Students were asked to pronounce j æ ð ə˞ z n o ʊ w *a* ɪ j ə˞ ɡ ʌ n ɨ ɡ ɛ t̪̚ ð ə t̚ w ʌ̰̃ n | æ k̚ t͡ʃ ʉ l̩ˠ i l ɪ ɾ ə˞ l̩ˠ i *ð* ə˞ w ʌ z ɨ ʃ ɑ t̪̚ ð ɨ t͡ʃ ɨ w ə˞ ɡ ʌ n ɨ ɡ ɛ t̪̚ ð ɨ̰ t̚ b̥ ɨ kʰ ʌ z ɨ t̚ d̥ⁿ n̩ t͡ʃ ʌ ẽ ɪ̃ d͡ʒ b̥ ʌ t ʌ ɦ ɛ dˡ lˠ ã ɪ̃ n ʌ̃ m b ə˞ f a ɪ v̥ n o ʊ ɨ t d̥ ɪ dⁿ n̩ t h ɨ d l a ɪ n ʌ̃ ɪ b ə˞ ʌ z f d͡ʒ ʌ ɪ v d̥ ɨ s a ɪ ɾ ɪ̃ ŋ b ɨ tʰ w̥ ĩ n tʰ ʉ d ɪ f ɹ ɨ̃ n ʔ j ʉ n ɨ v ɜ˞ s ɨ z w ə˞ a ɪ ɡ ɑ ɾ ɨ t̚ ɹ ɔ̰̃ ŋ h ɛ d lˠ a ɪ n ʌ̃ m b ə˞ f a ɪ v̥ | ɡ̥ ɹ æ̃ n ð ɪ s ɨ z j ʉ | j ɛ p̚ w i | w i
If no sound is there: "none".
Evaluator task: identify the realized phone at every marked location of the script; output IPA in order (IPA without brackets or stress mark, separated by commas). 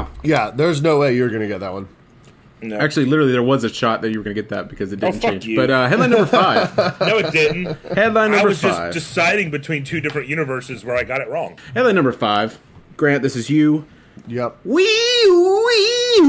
e, ð